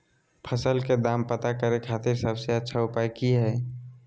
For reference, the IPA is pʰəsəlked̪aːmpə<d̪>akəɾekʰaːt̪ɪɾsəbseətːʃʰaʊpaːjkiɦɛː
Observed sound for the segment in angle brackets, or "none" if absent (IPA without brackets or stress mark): t̪